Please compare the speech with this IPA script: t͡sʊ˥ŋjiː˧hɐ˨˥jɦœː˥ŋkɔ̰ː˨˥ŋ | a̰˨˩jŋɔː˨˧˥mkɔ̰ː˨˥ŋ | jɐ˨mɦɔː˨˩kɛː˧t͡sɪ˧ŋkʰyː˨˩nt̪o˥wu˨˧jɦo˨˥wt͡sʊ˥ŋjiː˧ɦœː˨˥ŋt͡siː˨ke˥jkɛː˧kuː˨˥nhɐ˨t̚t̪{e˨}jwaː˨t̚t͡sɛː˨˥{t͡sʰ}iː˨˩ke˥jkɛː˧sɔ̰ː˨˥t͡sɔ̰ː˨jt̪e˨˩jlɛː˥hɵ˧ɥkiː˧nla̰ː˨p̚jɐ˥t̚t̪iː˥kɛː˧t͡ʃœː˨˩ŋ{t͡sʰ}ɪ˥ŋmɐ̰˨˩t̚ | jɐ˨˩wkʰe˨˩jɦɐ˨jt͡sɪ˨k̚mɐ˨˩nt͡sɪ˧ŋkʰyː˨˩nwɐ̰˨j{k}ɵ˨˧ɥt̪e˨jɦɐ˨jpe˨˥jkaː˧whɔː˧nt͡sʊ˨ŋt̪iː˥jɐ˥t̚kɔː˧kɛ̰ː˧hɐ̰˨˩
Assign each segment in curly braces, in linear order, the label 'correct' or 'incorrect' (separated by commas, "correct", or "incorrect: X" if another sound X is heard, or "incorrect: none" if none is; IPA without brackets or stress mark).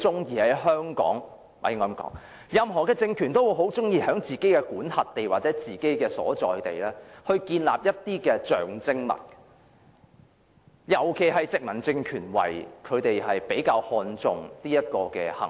correct, incorrect: t͡s, incorrect: t͡s, incorrect: kʰ